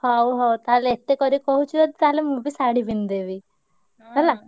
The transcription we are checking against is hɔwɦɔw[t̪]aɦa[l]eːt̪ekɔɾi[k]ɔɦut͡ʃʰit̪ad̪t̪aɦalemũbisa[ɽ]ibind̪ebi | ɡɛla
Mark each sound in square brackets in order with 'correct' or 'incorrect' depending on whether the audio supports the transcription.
correct, correct, correct, correct

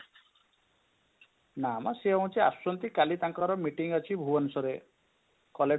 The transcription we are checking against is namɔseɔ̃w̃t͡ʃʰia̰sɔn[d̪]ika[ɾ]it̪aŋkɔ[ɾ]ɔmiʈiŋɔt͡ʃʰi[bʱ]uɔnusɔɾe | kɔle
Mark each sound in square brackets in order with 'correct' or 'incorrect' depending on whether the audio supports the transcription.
incorrect: t̪, incorrect: l, correct, correct

